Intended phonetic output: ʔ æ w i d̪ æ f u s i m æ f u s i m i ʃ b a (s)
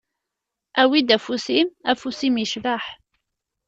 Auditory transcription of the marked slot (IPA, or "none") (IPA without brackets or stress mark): ħ